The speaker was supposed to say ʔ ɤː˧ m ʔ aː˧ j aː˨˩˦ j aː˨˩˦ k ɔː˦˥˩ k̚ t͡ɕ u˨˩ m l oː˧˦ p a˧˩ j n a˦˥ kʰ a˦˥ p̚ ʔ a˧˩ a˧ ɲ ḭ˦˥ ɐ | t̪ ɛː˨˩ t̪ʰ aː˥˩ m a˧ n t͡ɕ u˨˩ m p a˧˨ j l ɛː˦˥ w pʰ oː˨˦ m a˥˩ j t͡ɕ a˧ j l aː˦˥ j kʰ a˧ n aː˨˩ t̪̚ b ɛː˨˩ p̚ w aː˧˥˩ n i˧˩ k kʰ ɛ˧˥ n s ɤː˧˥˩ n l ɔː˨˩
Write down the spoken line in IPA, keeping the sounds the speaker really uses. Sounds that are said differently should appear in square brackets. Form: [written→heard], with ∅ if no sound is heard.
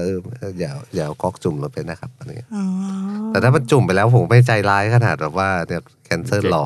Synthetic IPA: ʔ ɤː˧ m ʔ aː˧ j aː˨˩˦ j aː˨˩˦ k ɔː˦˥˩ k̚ t͡ɕ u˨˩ m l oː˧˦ p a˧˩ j n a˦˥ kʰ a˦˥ p̚ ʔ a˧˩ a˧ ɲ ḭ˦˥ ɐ | t̪ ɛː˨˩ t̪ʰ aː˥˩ m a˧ n t͡ɕ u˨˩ m p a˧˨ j l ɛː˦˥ w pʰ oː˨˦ m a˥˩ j t͡ɕ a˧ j l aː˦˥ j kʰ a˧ n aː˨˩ t̪̚ b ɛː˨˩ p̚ w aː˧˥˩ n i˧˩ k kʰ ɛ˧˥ n s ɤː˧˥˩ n l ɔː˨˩